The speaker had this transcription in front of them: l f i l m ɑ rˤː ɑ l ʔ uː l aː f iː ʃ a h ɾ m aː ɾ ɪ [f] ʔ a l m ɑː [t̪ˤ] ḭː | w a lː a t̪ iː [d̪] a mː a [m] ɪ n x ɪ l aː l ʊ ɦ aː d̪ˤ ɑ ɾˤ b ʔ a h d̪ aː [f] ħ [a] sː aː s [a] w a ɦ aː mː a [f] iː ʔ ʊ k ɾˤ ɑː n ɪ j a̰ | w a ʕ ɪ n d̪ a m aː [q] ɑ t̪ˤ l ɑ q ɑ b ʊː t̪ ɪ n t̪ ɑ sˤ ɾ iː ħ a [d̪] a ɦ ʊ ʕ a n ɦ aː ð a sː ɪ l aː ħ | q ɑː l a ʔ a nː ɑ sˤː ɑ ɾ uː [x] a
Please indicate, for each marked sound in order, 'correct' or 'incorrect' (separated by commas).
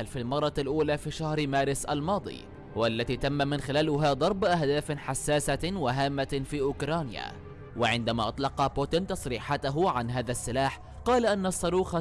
incorrect, incorrect, incorrect, correct, correct, correct, correct, correct, incorrect, incorrect, correct